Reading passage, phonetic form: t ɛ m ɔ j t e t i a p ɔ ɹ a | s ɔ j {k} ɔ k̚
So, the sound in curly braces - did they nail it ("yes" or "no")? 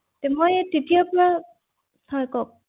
yes